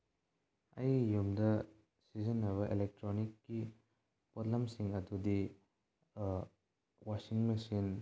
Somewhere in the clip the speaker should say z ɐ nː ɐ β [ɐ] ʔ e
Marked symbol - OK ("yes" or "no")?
yes